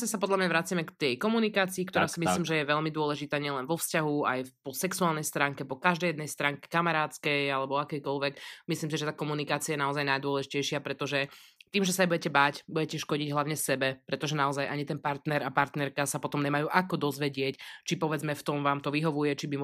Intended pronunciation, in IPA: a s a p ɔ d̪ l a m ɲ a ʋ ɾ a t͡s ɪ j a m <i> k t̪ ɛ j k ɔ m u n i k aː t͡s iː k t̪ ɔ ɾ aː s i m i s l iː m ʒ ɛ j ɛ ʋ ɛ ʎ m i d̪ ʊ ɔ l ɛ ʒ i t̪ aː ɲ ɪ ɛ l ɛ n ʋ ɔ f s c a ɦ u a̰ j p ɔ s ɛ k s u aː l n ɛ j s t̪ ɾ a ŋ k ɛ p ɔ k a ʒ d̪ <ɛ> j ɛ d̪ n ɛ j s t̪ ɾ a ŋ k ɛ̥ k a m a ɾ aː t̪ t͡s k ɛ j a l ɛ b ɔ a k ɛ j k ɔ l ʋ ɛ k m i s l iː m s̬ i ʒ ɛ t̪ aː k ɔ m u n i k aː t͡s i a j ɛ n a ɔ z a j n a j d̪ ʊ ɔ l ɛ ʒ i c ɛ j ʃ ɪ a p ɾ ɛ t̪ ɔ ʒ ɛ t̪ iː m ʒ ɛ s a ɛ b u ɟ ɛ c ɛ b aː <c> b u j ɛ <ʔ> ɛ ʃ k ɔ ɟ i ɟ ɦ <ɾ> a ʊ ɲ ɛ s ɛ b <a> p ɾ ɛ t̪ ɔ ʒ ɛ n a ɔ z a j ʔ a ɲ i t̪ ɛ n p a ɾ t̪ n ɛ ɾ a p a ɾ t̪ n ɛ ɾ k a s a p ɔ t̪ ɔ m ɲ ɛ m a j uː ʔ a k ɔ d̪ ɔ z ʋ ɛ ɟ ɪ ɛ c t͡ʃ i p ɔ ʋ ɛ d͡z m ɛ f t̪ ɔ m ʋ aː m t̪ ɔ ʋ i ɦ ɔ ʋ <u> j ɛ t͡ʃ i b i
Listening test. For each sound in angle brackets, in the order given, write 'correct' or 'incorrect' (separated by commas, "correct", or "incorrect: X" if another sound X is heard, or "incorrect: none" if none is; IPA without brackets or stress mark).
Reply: incorrect: ɛ, correct, correct, incorrect: c, incorrect: l, incorrect: ɛ, correct